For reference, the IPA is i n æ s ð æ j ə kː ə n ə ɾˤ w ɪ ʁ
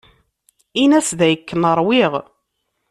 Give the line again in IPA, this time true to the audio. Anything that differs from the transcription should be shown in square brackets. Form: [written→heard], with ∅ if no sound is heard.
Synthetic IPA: i n æ s ð æ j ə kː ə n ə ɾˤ w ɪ ʁ